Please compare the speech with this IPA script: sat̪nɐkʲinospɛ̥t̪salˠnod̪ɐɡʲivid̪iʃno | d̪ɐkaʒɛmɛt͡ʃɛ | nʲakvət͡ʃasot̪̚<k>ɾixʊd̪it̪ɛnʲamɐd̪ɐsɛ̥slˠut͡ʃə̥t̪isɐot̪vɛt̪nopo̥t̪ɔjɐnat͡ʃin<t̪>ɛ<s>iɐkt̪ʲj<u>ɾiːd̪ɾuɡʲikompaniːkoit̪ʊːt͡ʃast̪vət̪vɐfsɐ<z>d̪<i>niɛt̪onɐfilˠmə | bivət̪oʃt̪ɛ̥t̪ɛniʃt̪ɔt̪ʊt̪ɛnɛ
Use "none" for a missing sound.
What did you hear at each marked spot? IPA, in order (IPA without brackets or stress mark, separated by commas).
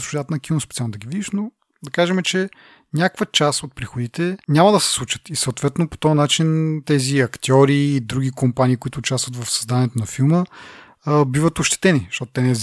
p, t̪, z, ɔ, z, a